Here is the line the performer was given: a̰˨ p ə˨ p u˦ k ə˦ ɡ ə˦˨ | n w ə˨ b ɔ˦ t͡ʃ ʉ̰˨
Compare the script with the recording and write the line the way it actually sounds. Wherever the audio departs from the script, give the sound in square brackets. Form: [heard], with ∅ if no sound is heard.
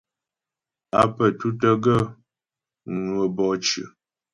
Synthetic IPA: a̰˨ p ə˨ [t] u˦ [t] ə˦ ɡ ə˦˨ | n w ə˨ b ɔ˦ t͡ʃ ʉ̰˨